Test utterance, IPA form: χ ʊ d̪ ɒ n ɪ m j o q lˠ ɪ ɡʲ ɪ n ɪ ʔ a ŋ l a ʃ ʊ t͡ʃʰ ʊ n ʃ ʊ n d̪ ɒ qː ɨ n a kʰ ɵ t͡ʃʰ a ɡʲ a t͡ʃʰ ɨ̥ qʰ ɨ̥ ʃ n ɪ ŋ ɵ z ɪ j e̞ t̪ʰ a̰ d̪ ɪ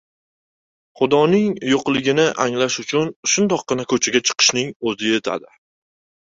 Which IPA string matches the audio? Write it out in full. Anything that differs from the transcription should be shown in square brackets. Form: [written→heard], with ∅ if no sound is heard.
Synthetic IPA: χ ʊ d̪ ɒ n ɪ [m→ŋ] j o q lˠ ɪ ɡʲ ɪ n ɪ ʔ a ŋ l a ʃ ʊ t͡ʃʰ ʊ n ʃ ʊ n d̪ ɒ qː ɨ n a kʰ ɵ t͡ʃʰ a ɡʲ a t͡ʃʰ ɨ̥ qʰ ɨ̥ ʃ n ɪ ŋ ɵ z ɪ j e̞ t̪ʰ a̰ d̪ ɪ